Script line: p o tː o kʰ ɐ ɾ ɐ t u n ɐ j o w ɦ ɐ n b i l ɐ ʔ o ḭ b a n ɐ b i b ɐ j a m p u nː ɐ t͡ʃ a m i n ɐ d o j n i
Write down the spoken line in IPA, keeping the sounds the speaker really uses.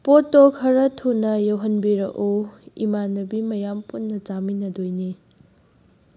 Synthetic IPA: p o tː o kʰ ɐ ɾ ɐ tʰ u n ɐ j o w ɦ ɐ n b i ɾ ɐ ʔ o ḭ m a n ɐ b i m ɐ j a m p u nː ɐ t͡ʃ a m i n ɐ d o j n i